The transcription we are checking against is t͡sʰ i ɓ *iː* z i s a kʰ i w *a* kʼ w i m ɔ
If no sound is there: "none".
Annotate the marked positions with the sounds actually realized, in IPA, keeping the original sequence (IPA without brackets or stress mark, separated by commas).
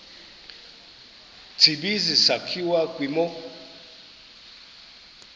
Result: i, a